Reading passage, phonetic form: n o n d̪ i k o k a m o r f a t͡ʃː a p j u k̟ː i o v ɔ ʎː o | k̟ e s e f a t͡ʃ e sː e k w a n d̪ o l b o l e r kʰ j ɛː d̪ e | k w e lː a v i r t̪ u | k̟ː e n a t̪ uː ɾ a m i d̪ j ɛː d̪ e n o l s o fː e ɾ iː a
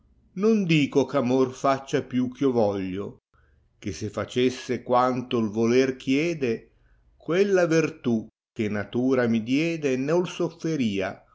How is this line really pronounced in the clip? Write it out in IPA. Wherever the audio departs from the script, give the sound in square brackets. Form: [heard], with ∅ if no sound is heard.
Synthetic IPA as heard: n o n d̪ [iː] k o k a m o r f a t͡ʃː a p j u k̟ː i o v ɔ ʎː o | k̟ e s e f a t͡ʃ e sː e k w a n [t̪] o l [v] o l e r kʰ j ɛː d̪ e | k w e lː a v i r t̪ u | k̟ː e n a t̪ uː ɾ a m i d̪ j ɛː d̪ e n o l s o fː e ɾ iː a